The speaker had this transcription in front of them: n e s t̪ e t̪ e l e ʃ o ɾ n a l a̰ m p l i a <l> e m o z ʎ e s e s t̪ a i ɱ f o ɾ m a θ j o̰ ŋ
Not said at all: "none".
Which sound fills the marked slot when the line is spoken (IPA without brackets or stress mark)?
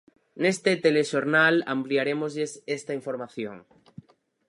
ɾ